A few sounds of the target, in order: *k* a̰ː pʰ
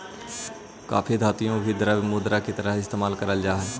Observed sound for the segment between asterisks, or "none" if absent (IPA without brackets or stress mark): k